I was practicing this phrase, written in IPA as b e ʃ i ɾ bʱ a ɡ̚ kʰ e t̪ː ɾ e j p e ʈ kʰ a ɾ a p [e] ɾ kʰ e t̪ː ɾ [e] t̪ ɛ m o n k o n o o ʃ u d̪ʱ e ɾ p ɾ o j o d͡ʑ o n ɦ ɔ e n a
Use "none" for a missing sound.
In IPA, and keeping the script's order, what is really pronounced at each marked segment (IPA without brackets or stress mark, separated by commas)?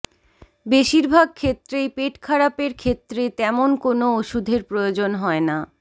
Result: e, e